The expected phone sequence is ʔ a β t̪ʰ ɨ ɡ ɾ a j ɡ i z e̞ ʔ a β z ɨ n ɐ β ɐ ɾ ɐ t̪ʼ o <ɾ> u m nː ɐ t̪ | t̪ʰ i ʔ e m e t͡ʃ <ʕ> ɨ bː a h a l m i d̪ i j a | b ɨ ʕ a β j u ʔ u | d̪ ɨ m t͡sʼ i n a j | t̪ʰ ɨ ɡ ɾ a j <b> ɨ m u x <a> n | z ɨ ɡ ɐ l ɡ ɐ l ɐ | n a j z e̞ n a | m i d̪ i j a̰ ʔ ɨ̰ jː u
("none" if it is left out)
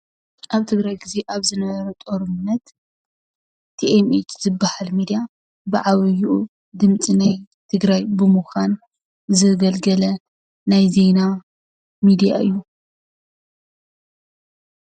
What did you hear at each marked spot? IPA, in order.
ɾ, z, b, a

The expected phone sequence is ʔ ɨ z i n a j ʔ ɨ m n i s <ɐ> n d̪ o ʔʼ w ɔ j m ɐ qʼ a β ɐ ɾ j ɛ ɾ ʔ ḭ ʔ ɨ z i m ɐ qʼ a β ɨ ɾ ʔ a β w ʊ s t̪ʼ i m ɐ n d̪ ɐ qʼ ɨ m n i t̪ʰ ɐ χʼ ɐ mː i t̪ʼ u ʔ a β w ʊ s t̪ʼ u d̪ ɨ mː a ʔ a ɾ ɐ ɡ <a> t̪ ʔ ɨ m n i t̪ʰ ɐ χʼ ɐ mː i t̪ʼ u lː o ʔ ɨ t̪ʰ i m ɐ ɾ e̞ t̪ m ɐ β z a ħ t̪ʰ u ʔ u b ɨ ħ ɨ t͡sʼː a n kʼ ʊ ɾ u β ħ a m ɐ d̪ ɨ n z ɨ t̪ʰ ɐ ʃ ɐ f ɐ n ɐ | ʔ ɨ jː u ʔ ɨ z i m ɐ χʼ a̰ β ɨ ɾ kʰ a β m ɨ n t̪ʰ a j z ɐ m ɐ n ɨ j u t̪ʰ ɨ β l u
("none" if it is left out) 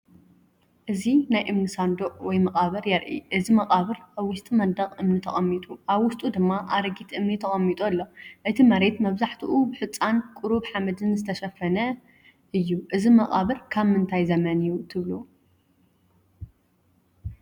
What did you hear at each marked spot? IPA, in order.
a, i

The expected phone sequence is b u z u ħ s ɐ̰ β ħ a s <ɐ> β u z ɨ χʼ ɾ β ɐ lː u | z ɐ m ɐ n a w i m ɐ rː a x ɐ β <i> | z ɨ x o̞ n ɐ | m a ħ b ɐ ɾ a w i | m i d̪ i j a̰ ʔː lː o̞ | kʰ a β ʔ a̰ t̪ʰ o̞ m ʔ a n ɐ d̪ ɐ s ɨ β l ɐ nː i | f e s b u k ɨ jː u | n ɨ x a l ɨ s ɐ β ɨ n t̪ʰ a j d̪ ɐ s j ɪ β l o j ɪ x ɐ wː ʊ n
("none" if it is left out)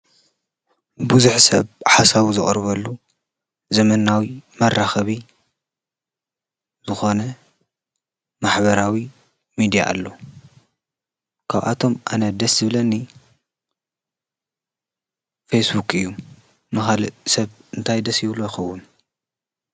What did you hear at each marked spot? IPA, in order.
a, i

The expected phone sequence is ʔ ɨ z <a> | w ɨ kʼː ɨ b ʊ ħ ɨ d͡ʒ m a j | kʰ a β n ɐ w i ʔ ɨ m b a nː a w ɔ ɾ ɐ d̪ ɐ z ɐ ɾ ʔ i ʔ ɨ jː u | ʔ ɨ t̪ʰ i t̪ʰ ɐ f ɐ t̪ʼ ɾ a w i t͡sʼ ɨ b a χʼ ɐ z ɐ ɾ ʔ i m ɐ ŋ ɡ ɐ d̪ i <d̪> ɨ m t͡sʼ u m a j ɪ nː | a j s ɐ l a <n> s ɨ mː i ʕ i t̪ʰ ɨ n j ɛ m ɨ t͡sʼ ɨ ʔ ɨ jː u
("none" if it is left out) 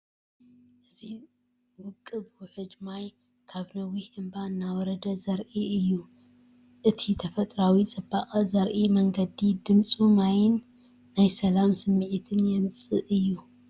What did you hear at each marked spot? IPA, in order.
i, d̪, m

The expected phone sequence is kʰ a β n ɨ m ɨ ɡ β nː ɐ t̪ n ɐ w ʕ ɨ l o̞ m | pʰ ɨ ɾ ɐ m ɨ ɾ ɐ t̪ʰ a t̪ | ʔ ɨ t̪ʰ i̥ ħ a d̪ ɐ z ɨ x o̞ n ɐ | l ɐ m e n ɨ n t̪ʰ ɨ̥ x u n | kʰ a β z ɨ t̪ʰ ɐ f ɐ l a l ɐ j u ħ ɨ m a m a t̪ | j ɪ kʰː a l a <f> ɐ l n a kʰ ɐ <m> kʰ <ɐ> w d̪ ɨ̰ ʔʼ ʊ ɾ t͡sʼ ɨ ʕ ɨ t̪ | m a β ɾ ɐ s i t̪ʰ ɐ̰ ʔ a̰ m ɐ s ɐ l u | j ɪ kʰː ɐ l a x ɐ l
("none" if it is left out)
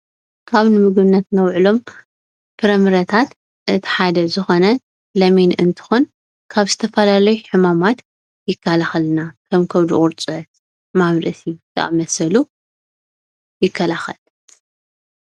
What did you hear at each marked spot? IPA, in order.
x, m, ɐ

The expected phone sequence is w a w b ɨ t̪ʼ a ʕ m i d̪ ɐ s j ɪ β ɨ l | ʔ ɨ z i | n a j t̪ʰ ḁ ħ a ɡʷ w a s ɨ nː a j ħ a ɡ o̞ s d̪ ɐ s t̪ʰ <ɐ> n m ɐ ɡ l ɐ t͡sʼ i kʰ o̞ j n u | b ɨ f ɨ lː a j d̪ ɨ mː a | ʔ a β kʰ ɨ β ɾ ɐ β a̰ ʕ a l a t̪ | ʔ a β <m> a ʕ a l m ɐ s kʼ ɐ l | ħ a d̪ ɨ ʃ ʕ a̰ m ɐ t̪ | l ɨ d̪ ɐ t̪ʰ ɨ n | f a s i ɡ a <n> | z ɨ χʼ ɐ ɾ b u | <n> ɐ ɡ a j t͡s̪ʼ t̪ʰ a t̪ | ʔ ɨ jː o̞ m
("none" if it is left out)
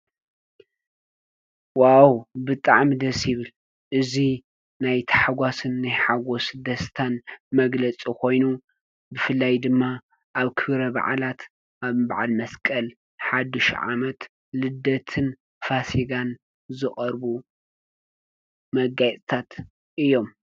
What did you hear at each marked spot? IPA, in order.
a, b, n, m

